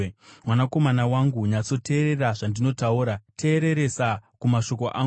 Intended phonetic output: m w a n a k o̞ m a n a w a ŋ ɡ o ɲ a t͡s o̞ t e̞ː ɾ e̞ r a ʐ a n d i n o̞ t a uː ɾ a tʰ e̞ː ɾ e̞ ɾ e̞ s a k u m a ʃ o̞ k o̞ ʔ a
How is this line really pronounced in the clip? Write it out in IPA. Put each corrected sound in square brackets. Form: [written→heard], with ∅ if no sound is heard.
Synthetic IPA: m w a n a k o̞ m a n a w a ŋ ɡ [o→u] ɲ a t͡s o̞ t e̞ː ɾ e̞ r a ʐ a n d i n o̞ t a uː ɾ a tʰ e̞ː ɾ e̞ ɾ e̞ s a k u m a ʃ o̞ k o̞ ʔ a